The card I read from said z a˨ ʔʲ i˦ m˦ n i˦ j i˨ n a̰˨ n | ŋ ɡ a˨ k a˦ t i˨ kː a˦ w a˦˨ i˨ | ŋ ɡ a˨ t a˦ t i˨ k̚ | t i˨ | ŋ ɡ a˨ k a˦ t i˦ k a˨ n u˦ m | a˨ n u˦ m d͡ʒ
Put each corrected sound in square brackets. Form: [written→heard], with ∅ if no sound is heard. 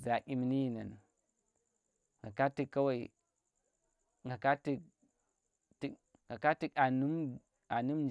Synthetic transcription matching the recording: z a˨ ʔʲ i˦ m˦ n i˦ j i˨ n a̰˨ n | ŋ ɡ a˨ k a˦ t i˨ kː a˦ w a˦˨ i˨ | ŋ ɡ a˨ [t→k] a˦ t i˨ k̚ | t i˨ | ŋ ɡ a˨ k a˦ t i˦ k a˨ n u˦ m | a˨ n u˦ m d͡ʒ